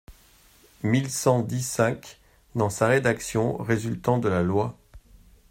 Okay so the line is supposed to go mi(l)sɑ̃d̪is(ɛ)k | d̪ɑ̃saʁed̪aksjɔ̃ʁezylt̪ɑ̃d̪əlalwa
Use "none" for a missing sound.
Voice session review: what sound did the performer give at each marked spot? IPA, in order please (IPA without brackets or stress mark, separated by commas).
l, ɛ̃